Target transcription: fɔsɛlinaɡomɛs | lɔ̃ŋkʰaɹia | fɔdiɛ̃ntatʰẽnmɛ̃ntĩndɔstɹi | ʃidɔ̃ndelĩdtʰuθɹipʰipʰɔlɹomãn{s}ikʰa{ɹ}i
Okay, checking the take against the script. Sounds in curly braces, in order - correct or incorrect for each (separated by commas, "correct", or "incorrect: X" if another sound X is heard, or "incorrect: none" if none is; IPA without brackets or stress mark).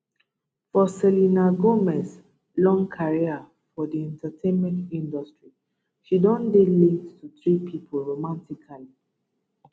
incorrect: t, incorrect: l